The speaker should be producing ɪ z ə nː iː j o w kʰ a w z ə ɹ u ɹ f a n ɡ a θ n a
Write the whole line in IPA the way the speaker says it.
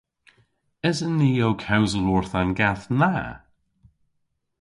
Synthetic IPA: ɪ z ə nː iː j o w kʰ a w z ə l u ɹ θ a n ɡ a θ n a